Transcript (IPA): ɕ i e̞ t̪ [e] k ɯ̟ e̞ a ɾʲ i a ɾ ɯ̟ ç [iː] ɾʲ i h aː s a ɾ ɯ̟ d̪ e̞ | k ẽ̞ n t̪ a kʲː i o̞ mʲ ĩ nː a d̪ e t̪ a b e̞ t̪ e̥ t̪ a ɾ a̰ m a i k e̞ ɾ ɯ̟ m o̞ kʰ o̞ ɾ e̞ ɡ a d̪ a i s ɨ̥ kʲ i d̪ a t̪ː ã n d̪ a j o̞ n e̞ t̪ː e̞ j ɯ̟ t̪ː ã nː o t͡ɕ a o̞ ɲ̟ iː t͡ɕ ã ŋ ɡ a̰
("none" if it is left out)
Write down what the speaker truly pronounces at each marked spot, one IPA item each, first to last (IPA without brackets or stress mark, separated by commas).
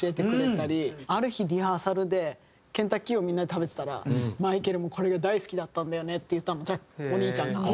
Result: e, i